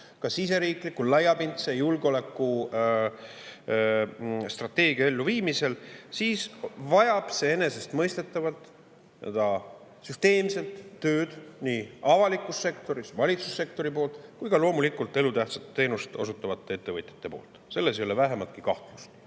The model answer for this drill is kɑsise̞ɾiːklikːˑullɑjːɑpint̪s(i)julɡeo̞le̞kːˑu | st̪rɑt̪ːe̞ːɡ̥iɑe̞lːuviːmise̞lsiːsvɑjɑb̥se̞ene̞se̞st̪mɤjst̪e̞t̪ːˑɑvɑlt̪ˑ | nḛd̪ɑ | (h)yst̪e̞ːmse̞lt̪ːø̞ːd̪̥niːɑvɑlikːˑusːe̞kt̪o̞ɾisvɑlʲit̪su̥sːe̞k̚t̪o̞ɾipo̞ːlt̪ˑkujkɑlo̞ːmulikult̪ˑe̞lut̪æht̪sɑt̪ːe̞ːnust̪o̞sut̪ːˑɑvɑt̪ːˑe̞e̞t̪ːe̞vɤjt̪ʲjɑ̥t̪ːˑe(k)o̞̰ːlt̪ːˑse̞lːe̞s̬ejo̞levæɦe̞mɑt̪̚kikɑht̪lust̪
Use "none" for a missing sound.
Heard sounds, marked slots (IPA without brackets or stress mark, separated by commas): e, s, p